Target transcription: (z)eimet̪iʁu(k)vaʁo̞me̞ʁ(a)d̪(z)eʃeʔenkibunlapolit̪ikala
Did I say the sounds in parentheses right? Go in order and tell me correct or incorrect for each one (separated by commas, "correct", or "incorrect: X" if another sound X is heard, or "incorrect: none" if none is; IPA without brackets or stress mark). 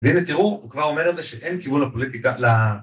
incorrect: v, correct, incorrect: e, correct